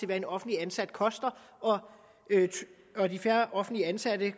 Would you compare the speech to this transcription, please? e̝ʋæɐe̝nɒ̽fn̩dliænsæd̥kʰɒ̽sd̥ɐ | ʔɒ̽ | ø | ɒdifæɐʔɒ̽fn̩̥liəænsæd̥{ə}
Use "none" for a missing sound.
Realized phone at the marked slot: ə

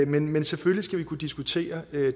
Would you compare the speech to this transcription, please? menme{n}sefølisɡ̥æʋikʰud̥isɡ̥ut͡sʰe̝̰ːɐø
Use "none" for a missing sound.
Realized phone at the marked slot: n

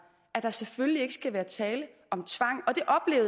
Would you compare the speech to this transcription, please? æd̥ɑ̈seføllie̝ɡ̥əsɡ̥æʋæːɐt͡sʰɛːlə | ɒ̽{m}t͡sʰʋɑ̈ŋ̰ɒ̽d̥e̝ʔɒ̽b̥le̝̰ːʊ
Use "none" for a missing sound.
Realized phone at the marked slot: m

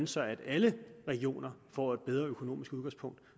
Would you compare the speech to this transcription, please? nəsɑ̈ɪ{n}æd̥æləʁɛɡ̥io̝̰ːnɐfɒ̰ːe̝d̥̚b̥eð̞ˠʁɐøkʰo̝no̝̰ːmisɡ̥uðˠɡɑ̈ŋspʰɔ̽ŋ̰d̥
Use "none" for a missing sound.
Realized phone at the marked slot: none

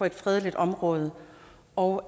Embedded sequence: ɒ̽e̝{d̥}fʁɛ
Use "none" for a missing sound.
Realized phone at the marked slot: d̥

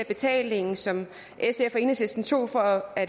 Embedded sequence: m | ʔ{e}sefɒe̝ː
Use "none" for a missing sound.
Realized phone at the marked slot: e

